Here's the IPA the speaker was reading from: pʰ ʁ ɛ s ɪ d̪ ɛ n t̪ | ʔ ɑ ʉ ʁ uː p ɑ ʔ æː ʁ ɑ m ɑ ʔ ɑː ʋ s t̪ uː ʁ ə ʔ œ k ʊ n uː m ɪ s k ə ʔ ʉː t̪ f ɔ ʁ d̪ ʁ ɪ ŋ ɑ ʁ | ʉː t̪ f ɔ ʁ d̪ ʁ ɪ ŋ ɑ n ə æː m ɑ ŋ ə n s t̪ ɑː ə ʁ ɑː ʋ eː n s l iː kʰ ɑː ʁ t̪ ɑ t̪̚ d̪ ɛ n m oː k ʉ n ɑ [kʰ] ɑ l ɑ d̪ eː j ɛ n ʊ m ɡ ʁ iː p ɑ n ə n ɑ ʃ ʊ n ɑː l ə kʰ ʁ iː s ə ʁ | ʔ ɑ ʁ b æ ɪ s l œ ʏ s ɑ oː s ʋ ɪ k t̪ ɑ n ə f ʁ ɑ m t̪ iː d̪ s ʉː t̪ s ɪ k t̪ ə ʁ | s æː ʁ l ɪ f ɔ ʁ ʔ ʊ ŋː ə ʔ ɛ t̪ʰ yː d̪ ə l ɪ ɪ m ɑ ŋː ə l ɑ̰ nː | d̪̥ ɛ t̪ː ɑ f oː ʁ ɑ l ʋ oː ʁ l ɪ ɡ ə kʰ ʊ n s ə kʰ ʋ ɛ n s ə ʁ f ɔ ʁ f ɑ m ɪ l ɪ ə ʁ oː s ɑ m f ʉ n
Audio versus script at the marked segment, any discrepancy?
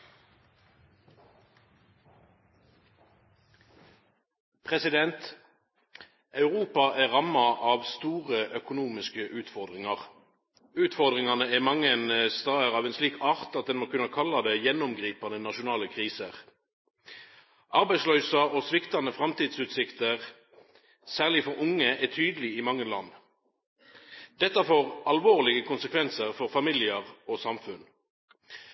no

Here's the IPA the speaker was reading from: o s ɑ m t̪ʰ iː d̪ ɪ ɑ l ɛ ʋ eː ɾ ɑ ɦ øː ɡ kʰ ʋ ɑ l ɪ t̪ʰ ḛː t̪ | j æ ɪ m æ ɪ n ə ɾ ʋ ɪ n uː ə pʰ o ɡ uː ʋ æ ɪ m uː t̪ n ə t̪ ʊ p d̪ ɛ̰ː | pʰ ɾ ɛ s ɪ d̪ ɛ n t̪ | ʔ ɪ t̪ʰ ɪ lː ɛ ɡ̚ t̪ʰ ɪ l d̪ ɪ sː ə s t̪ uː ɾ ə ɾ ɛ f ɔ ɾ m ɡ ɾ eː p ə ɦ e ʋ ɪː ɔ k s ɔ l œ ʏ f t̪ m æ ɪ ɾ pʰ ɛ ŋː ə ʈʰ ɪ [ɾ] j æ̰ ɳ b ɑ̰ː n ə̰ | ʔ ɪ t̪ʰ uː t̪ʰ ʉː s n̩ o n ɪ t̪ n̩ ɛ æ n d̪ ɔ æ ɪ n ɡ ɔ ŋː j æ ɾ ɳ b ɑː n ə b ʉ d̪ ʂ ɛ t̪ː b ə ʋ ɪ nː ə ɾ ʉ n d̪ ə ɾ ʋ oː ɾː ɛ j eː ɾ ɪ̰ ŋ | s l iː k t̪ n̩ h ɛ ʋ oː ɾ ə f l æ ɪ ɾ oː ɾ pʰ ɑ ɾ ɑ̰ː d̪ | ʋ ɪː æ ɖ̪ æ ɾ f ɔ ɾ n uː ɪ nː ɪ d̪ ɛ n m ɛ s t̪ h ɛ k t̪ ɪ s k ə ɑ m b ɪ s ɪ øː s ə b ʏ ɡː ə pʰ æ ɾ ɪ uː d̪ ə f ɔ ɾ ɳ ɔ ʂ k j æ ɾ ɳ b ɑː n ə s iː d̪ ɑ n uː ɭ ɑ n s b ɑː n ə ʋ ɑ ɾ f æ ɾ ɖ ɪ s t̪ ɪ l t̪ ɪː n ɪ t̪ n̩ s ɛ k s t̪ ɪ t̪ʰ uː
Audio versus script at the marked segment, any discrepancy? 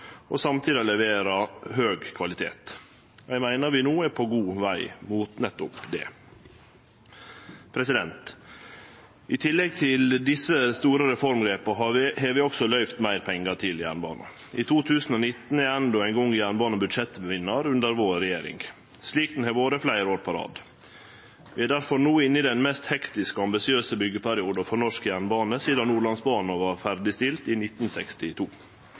yes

